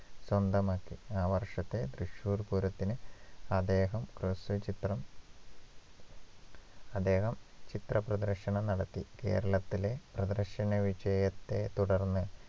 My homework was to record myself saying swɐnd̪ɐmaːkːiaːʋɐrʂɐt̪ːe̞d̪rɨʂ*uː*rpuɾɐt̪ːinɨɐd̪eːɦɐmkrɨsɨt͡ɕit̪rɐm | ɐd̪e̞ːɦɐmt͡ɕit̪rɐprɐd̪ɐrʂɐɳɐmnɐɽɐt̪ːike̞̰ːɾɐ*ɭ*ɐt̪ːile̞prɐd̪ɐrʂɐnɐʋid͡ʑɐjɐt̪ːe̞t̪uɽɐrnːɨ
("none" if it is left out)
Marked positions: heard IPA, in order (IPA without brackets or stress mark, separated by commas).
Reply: uː, ɭ